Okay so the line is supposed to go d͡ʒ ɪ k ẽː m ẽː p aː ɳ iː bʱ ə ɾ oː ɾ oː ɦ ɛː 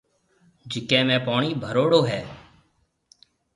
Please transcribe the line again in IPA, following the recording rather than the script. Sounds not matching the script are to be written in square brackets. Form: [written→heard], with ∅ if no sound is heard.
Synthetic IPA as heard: d͡ʒ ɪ k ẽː m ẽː p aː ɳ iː bʱ ə ɾ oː [ɾ→ɽ] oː ɦ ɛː